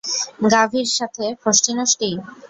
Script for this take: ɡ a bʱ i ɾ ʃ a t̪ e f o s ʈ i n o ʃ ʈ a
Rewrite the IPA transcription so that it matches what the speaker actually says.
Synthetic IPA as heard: ɡ a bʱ i ɾ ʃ a t̪ʰ e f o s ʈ i n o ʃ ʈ i